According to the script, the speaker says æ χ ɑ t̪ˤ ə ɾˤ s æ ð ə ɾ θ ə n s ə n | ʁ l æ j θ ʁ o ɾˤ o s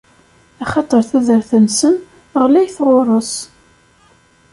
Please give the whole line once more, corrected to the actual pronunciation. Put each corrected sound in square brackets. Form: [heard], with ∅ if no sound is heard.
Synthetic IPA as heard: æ χ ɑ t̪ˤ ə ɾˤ [θ] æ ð ə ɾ θ ə n s ə n | ʁ l æ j θ ʁ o ɾˤ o s